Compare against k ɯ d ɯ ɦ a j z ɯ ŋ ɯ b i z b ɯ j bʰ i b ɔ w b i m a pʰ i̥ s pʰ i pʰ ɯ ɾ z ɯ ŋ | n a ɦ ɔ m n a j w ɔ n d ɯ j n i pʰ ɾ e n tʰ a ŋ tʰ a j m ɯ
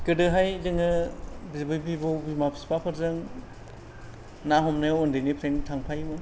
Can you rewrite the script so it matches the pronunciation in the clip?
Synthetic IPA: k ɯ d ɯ ɦ a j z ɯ ŋ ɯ b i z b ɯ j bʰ i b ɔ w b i m a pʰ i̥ s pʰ a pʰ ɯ ɾ z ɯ ŋ | n a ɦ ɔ m n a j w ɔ n d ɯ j n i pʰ ɾ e n tʰ a ŋ pʰ a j m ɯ